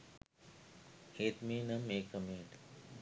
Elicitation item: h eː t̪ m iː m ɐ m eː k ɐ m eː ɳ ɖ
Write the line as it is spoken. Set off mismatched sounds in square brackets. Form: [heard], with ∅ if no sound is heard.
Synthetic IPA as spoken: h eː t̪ m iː [n] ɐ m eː k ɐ m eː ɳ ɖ